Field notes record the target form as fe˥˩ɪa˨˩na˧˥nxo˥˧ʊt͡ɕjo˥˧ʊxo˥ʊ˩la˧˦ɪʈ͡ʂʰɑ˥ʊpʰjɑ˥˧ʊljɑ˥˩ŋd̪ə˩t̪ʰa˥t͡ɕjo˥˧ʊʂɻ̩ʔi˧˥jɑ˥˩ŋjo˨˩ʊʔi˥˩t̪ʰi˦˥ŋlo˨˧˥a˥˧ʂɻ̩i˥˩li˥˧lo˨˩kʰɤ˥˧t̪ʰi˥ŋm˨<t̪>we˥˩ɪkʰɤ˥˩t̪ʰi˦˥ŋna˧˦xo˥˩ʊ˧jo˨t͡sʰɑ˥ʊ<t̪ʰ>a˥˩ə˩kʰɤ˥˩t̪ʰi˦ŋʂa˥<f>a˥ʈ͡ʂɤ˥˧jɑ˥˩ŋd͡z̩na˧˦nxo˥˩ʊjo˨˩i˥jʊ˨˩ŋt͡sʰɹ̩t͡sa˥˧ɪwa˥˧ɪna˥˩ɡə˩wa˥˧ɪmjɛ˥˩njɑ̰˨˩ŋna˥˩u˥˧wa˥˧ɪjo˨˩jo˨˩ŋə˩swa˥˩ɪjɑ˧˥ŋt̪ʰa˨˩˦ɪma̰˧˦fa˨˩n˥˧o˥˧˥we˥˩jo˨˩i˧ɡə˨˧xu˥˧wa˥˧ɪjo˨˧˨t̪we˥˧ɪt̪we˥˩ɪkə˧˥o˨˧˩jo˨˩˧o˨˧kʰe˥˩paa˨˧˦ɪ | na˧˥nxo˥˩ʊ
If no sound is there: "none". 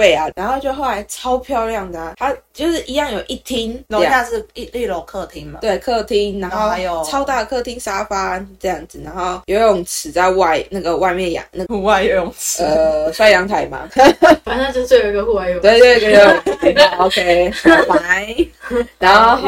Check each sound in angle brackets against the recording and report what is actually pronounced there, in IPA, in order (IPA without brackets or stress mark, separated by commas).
t̪, t̪, f